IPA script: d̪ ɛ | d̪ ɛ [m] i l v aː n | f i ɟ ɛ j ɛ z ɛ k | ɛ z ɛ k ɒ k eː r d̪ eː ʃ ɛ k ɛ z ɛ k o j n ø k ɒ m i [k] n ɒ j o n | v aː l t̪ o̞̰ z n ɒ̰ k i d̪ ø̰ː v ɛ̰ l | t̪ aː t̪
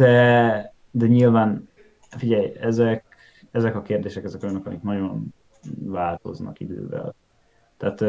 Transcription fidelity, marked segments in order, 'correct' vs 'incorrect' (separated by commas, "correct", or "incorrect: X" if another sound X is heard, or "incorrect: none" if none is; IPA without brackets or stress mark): incorrect: ɲ, correct